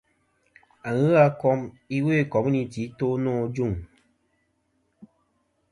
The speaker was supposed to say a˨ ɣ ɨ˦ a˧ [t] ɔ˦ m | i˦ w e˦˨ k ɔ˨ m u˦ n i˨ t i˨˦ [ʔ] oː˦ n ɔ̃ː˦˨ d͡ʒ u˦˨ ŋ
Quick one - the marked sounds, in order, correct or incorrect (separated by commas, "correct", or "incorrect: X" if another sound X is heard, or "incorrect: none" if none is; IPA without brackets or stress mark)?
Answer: incorrect: k, incorrect: t